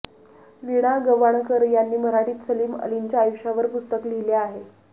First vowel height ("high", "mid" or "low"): high